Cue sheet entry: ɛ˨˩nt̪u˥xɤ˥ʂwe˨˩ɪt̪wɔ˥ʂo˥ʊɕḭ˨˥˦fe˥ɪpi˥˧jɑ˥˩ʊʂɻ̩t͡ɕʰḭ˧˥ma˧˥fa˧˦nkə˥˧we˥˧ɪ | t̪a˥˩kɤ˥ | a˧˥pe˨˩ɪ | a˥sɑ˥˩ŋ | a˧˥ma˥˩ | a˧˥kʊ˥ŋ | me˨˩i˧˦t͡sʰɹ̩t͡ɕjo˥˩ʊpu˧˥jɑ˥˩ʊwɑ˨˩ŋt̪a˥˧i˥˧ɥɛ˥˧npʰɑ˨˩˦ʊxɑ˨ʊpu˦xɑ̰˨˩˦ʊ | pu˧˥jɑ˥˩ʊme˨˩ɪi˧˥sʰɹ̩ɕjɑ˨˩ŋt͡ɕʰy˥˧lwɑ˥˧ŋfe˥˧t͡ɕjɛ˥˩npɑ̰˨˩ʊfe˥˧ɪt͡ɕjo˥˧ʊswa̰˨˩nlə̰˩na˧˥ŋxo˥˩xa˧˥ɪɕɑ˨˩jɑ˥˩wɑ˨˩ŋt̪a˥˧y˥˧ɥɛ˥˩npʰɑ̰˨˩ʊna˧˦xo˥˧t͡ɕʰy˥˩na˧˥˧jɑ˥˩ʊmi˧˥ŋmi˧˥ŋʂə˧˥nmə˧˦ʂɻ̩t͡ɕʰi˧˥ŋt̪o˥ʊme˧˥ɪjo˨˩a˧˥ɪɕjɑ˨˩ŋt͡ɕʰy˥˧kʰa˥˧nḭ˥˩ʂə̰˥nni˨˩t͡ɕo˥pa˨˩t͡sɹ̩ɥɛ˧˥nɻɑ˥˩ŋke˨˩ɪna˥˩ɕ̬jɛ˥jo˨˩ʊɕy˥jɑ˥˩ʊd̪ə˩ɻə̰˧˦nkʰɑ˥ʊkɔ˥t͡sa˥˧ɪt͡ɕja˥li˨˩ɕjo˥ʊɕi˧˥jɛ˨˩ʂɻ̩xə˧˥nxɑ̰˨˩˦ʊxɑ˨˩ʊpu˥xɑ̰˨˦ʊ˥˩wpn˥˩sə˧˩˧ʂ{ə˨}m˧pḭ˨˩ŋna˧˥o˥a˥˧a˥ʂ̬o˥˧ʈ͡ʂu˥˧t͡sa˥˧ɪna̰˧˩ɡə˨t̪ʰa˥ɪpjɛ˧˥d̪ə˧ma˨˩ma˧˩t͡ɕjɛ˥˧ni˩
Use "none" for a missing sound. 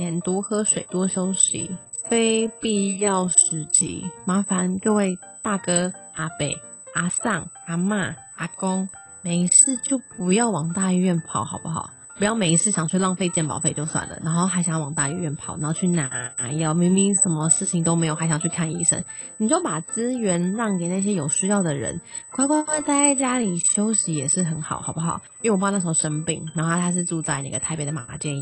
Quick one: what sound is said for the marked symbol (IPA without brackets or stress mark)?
ə˧˥